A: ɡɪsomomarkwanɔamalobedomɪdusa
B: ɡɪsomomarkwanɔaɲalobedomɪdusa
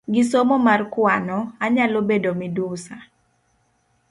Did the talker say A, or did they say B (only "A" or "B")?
B